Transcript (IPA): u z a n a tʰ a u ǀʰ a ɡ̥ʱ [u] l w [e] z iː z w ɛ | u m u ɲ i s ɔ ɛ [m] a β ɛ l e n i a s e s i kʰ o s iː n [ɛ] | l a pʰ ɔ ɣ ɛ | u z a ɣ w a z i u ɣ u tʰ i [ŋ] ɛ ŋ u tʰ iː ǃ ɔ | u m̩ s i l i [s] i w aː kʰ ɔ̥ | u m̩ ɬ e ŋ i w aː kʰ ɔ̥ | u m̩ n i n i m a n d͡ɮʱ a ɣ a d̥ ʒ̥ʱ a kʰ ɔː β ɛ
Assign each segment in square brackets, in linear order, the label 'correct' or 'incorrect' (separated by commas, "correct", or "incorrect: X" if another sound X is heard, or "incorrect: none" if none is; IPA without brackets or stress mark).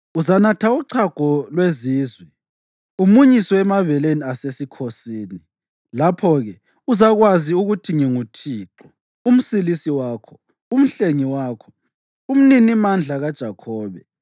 incorrect: ɔ, correct, correct, incorrect: i, correct, correct